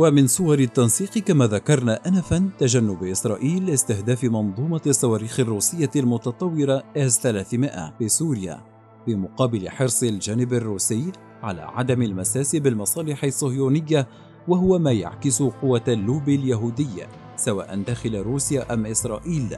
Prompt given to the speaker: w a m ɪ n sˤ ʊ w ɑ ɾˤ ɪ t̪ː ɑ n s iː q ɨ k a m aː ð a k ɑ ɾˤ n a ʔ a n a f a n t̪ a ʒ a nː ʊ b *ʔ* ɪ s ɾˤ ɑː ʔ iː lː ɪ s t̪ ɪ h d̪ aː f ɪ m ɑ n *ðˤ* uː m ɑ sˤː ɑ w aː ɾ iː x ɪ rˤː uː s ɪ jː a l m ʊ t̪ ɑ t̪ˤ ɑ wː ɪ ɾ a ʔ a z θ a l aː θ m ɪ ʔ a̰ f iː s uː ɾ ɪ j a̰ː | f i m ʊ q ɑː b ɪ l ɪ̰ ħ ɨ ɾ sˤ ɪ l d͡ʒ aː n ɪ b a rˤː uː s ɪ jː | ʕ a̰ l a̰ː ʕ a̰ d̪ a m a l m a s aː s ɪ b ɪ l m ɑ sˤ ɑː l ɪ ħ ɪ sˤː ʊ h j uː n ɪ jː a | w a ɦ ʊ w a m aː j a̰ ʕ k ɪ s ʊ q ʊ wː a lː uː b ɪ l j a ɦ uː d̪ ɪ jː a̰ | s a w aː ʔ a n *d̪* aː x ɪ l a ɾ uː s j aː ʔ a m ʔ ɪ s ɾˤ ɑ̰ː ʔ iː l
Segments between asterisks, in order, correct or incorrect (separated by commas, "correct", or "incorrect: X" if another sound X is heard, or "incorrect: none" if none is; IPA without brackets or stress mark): correct, correct, correct